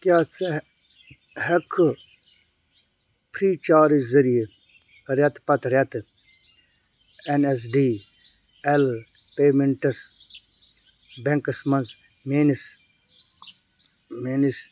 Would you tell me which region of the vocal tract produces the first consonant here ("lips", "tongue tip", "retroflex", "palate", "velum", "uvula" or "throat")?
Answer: velum